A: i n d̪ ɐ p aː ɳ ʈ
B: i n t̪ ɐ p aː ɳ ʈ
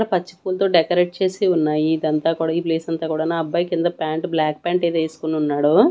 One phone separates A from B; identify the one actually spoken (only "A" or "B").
A